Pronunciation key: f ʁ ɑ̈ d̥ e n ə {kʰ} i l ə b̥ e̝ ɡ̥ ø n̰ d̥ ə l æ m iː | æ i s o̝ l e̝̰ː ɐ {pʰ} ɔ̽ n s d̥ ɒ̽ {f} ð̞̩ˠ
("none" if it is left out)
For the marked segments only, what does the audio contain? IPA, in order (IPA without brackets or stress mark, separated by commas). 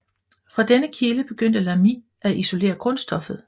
kʰ, kʰ, f